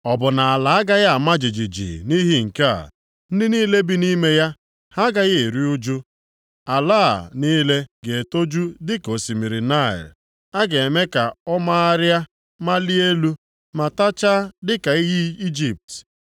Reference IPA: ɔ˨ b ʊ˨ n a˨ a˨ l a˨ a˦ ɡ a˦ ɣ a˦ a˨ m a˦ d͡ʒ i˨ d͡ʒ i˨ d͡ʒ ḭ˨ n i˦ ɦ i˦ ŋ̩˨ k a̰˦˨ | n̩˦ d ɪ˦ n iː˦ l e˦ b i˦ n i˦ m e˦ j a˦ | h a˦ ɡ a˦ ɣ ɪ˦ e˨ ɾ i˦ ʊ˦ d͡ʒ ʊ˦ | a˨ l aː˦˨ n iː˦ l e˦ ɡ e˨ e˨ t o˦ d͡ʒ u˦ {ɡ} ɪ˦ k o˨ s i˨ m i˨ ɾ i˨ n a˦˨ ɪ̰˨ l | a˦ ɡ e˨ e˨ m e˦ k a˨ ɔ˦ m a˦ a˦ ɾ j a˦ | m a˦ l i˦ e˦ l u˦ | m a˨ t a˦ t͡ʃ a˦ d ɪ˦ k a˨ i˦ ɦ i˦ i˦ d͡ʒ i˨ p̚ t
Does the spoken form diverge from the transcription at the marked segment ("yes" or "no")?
yes